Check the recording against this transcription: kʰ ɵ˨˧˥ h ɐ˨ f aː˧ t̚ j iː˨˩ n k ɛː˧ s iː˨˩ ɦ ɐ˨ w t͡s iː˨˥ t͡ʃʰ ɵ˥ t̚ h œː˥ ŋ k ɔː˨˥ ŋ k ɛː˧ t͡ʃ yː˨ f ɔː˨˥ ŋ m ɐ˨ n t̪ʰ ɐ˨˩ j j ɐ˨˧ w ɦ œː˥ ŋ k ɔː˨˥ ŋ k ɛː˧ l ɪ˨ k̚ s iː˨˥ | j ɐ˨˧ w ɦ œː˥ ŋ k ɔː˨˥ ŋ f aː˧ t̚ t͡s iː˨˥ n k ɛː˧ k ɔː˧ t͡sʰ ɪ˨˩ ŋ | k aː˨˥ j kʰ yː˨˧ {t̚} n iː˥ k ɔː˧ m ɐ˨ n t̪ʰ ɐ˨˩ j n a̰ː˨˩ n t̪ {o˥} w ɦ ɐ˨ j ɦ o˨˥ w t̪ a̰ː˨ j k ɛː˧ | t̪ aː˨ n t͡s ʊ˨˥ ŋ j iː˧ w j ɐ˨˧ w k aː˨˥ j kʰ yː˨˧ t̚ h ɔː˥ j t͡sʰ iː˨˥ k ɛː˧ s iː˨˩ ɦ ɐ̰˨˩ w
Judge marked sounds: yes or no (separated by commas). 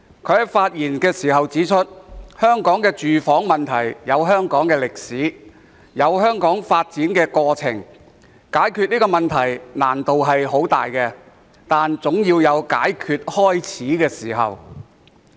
yes, no